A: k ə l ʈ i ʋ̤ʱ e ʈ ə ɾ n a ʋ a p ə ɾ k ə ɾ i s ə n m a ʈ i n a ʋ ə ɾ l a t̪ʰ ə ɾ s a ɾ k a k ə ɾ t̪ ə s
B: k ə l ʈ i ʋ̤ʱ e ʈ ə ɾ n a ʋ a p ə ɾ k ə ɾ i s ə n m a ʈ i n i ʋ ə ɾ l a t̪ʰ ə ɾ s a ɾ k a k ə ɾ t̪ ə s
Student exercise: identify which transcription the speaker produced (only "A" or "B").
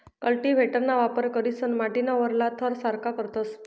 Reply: A